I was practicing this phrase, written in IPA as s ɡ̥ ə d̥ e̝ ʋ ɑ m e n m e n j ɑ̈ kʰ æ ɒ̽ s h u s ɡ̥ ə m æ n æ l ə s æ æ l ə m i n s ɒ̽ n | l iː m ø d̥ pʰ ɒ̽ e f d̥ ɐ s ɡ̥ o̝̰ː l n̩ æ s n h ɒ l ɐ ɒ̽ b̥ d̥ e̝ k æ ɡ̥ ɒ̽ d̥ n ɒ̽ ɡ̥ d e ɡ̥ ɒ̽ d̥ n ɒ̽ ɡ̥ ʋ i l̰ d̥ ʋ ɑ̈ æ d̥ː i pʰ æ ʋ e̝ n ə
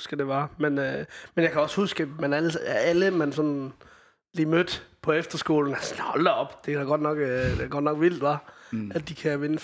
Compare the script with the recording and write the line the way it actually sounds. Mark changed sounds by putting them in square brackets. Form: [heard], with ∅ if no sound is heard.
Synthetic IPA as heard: s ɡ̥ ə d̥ e̝ ʋ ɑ m e n m e n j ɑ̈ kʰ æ ɒ̽ s h u s ɡ̥ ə m æ n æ l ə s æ æ l ə m [æ] n s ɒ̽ n | l iː m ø d̥ pʰ ɒ̽ e f d̥ ɐ s ɡ̥ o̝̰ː l n̩ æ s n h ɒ l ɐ ɒ̽ b̥ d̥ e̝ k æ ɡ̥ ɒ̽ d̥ n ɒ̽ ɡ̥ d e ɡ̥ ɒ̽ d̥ n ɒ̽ ɡ̥ ʋ i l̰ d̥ ʋ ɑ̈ æ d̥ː i [kʰ] æ ʋ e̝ n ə